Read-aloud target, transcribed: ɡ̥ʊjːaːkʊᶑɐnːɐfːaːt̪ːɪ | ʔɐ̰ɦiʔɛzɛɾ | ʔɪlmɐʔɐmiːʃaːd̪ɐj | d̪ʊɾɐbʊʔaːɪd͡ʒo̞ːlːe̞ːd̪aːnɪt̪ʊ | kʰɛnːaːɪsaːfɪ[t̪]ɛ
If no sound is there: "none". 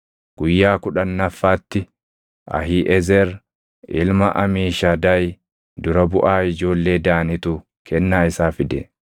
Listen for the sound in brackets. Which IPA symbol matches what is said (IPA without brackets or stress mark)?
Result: d̪